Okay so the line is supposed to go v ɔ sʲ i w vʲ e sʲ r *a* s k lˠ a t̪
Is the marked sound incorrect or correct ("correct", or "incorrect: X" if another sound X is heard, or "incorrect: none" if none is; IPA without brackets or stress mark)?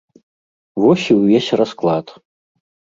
correct